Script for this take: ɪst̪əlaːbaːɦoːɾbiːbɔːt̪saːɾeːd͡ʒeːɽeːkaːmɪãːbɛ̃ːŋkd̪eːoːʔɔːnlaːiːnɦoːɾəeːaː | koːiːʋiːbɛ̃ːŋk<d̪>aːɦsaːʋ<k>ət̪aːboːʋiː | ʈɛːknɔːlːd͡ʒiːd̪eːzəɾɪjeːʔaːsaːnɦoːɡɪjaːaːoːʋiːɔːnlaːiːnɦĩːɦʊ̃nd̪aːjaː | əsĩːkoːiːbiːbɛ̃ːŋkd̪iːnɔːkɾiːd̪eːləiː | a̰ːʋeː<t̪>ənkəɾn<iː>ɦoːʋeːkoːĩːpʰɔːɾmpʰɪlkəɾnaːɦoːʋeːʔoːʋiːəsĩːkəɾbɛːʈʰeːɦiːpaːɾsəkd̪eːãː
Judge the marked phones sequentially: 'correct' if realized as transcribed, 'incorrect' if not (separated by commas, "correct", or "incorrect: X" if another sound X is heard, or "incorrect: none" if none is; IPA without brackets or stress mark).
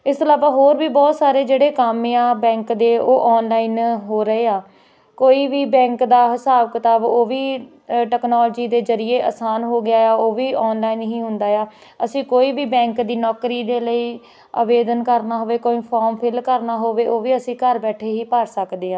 correct, correct, incorrect: d̪, incorrect: aː